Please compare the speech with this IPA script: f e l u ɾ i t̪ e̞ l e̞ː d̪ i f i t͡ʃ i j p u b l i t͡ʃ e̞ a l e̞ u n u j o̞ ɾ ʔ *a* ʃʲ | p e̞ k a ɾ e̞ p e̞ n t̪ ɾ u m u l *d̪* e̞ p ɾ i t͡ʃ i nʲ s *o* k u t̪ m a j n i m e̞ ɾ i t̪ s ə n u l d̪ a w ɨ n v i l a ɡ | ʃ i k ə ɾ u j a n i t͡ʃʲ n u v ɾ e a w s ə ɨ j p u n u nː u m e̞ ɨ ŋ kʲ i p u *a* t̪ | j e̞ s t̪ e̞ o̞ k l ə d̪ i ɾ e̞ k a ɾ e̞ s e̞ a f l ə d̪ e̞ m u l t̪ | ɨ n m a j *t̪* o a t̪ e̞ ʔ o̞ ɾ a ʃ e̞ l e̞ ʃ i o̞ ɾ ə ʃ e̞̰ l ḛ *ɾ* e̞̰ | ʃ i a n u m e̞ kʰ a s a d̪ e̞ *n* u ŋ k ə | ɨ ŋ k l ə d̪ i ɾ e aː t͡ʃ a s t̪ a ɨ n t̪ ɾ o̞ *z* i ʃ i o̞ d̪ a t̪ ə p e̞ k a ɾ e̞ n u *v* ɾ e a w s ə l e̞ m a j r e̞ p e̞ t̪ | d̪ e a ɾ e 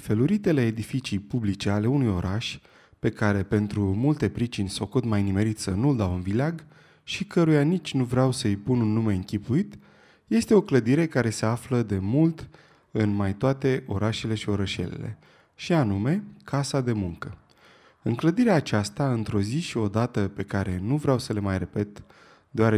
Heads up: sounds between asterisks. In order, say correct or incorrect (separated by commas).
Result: correct, incorrect, correct, incorrect, correct, incorrect, incorrect, correct, correct